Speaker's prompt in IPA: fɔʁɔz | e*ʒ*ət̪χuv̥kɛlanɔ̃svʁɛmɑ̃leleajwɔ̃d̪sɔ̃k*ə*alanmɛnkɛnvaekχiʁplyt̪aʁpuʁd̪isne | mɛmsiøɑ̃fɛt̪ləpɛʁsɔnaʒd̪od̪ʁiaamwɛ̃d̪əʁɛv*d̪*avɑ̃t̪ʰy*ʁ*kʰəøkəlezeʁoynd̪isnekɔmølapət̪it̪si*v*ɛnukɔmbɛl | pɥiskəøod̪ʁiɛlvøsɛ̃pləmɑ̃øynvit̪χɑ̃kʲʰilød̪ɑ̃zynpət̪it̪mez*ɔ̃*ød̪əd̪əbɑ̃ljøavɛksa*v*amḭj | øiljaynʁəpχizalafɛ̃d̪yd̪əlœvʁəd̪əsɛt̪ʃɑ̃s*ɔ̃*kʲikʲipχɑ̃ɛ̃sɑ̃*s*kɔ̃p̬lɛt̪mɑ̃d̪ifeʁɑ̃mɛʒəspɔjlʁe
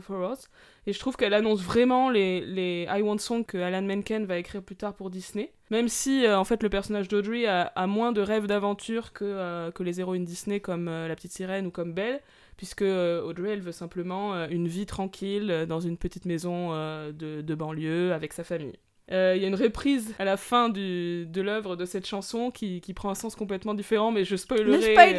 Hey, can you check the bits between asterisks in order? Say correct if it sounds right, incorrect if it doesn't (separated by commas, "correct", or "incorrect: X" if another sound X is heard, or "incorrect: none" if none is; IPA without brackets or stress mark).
correct, correct, correct, correct, incorrect: ʁ, correct, incorrect: f, correct, correct